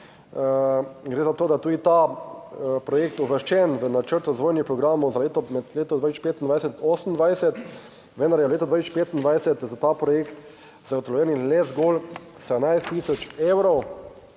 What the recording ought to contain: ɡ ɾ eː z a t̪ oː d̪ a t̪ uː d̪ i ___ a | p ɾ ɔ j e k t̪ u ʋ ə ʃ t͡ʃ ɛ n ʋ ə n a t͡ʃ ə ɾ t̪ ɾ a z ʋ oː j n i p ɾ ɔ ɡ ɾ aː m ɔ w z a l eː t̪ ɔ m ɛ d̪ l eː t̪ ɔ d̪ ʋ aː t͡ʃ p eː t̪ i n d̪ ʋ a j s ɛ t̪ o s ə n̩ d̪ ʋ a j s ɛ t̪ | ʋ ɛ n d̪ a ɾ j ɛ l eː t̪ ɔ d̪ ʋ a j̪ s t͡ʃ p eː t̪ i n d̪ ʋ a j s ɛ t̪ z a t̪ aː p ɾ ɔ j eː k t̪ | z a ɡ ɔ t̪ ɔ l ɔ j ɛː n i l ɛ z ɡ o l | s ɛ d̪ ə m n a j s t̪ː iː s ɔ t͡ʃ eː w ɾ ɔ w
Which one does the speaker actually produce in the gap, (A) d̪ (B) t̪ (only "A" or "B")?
B